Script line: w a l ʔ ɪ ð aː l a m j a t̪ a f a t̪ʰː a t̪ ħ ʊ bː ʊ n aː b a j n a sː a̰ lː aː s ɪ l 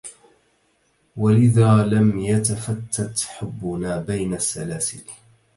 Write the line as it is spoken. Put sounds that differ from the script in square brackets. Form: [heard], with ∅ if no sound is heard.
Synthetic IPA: w a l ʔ ɪ ð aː l a m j a t̪ a f a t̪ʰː a t̪ ħ ʊ bː ʊ n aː b a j n a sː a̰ [l] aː s ɪ l